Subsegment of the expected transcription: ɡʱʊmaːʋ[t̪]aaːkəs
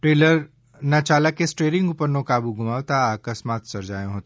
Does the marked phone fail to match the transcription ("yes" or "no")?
no